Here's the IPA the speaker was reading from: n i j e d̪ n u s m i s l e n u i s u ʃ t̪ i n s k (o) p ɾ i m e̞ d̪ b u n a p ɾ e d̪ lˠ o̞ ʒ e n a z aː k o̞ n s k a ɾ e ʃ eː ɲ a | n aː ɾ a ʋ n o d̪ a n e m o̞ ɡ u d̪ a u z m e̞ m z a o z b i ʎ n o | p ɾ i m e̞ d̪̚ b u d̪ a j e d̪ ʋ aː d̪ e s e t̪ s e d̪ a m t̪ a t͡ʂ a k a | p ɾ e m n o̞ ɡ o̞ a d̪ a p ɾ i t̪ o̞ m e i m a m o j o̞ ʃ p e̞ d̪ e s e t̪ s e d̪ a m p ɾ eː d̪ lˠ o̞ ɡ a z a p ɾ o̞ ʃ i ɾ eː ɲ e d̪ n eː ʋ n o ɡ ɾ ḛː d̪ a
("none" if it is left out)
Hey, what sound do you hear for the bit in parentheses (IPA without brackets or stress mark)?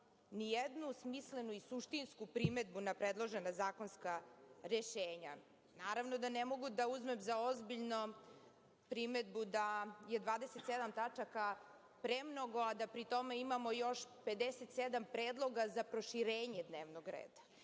u